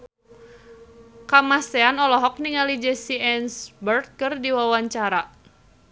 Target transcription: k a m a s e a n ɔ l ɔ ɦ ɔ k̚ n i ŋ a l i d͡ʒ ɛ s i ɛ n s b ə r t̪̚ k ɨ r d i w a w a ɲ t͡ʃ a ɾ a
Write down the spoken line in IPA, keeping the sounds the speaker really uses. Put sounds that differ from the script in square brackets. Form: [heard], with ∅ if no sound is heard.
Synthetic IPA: k a m a s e a n ɔ l ɔ ɦ ɔ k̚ n i ŋ a l i d͡ʒ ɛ s i ɛ n s b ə r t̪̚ k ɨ r d i w a w a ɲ t͡ʃ a ɾ a